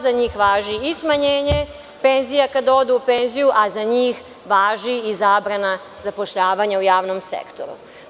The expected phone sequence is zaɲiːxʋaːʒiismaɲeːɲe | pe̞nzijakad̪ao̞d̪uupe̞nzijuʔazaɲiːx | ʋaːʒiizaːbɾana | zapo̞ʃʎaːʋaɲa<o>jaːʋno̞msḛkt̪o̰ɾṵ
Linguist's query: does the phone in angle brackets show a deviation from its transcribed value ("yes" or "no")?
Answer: yes